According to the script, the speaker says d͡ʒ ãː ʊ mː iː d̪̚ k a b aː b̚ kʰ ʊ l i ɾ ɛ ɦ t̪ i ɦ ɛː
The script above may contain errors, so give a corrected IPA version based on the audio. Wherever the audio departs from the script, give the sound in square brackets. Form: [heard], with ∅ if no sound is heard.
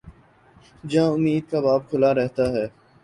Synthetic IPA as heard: d͡ʒ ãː ʊ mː iː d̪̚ k a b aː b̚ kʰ ʊ l [a] ɾ ɛ ɦ t̪ [a] ɦ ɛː